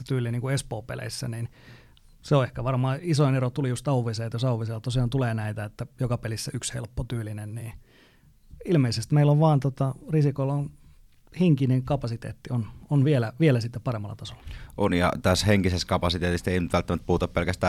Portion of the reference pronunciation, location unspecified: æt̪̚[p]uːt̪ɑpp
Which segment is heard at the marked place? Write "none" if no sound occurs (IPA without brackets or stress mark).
p